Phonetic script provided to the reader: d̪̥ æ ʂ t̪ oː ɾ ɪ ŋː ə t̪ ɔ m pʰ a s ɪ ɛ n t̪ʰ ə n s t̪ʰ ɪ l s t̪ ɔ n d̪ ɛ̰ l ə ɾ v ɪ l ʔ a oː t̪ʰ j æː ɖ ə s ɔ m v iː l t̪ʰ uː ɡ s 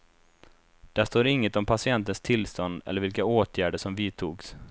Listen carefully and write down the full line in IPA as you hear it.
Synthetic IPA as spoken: d̪̥ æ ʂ t̪ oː ɾ ɪ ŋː ə t̪ ɔ m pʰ a s ɪ ɛ n t̪ ə n s t̪ʰ ɪ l s t̪ ɔ n d̪ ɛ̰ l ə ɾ v ɪ l k a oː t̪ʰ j æː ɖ ə ʂ ɔ m v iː t̪ʰ uː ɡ s

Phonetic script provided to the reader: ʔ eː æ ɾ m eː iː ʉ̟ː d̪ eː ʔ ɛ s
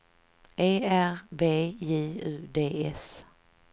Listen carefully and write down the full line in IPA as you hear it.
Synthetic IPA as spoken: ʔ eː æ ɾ b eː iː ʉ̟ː d̪ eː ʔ ɛ s

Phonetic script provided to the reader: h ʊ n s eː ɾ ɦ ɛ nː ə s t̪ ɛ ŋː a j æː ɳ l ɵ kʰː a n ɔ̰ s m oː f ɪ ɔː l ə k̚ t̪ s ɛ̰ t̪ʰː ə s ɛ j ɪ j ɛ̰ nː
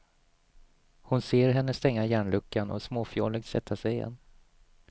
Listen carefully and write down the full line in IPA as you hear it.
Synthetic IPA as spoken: h ʊ n s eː ɾ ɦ ɛ nː ə s t̪ ɛ ŋː a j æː ɳ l ɵ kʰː a n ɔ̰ s m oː f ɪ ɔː l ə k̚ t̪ s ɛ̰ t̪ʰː a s ɛ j ɪ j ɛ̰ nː

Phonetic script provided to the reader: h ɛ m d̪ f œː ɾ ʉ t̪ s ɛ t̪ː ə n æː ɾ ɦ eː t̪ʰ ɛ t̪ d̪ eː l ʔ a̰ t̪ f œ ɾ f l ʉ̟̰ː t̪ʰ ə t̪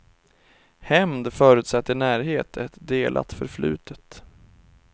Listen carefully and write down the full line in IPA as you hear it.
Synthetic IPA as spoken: h ɛ m d̪ f œː ɾ ʉ t̪ s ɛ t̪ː ə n æː ɾ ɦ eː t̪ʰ ɛ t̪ d̪ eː l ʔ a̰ t̪ f œ ɾ f l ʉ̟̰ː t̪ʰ ə t̪

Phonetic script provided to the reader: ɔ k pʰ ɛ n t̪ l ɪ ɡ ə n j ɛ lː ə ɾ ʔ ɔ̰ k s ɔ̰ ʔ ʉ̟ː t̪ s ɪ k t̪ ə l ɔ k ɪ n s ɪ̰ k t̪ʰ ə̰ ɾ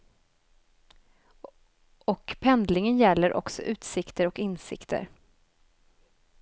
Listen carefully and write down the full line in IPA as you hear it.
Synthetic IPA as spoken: ɔ k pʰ ɛ n d̪ l ɪ ŋ ə n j ɛ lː ə ɾ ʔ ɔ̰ k s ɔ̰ ʔ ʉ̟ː t̪ s ɪ k t̪ ə ɾ ɔ k ɪ n s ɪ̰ k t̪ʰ ə̰ ɾ

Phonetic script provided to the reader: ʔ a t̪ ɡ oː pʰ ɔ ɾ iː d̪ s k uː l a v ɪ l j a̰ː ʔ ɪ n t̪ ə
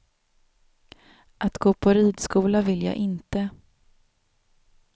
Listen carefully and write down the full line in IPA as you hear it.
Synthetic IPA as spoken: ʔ a t̪ ɡ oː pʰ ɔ ɾ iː d̪ s k uː l a v ɪ l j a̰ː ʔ ɪ n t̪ ə

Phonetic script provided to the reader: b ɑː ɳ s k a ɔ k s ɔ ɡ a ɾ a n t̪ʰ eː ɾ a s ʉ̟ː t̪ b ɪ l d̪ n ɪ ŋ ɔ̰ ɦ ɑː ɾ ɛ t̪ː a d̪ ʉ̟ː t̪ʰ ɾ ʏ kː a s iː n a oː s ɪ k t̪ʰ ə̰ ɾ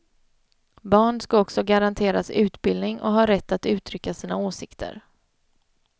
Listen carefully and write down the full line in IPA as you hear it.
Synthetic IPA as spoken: b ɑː ɳ s k a ɔ k s ɔ ɡ a ɾ a n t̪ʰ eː ɾ a s ʉ̟ː t̪ b ɪ l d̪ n ɪ ŋ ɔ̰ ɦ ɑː ɾ ɛ t̪ː a t̪ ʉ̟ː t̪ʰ ɾ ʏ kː a s iː n a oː s ɪ k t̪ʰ ə̰ ɾ

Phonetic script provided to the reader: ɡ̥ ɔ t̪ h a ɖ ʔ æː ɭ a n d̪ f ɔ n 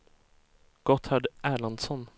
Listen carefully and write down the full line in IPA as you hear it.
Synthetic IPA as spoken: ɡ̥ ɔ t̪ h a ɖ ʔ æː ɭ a n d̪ s ɔ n

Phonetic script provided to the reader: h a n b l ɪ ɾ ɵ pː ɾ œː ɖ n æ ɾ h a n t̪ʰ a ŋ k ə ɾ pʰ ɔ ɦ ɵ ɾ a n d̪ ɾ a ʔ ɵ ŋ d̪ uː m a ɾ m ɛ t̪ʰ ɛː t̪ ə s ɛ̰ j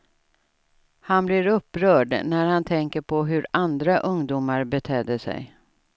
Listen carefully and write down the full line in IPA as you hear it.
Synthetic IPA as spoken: h a n b l ɪ ɾ ɵ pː ɾ œː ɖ n æ ɾ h a n t̪ʰ ɛ ŋ k ə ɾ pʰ ɔ ɦ ɵ ɾ a n d̪ ɾ a ʔ ɵ ŋ d̪ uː m a ɾ b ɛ t̪ʰ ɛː d̪ ə s ɛ̰ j

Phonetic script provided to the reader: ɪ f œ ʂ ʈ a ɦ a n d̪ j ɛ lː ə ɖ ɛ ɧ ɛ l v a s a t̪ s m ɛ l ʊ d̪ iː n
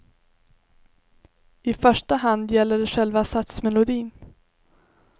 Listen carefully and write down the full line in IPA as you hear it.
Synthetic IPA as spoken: ɪ f œ ʂ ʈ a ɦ a n d̪ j ɛ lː ə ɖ ɛ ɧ ɛ l v a s a t̪ s m ɛ l ʊ d̪ iː n

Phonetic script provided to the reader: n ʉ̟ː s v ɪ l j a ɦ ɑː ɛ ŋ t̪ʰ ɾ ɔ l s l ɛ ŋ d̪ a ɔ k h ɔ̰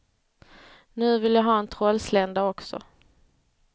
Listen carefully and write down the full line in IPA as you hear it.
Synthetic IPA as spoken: n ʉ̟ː v ɪ l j a ɦ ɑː ɛ n t̪ʰ ɾ ɔ l s l ɛ n d̪ a ɔ k s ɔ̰

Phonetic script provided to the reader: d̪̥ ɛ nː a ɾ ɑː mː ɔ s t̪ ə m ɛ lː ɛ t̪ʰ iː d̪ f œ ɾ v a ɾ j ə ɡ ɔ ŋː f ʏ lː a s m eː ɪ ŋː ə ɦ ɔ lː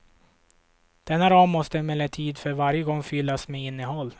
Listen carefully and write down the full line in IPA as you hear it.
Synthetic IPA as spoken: d̪̥ ɛ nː a ɾ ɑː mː ɔ s t̪ ə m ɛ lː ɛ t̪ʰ iː d̪ f œ ɾ v a ɾ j ə ɡ ɔ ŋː f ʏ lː a s m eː ɪ nː ə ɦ ɔ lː

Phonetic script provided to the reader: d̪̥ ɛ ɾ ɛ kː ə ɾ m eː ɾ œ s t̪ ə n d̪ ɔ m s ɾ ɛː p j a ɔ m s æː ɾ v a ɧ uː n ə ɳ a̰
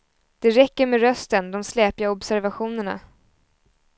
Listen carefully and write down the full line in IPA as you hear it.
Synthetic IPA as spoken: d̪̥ ɛ ɾ ɛ kː ə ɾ m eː ɾ œ s t̪ ə n d̪ ɔ m s l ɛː p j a ɔ b s æ ɾ v a ɧ uː n ə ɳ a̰

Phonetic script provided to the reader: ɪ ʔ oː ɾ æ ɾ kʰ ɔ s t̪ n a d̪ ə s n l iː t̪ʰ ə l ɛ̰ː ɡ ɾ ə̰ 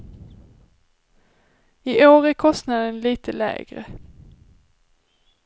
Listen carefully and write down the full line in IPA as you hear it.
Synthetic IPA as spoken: ɪ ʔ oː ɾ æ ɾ kʰ ɔ s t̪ n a d̪ ə n l iː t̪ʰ ə l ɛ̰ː ɡ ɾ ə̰

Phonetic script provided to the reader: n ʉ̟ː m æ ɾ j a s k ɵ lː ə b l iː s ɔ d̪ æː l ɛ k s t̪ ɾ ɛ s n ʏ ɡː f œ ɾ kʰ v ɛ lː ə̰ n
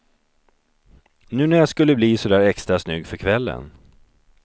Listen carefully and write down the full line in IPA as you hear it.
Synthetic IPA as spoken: n ʉ̟ː n æ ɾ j a s k ɵ lː ə b l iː s ɔ d̪ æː ɾ ɛ k s t̪ ɾ a s n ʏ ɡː f œ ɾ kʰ v ɛ lː ə̰ n

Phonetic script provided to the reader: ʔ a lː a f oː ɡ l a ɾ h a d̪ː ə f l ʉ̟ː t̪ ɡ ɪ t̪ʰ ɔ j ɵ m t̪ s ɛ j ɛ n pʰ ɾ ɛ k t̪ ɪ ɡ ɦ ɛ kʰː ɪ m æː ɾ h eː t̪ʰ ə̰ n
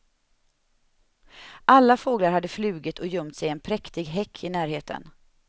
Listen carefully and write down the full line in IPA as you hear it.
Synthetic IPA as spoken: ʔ a lː a f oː ɡ l a ɾ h a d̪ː ə f l ʉ̟ː ɡ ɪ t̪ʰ ɔ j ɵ m t̪ s ɛ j ɛ n pʰ ɾ ɛ k t̪ ɪ ɡ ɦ ɛ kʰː ɪ n æː ɾ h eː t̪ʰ ə̰ n

